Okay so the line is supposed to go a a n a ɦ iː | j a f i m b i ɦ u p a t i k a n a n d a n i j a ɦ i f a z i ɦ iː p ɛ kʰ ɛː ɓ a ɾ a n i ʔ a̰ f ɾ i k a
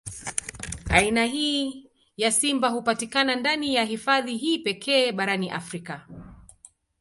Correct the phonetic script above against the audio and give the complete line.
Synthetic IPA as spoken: a i n a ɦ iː | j a s i m b a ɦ u p a t i k a n a n d a n i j a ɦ i f a ð i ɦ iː p ɛ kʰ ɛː ɓ a ɾ a n i ʔ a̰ f ɾ i k a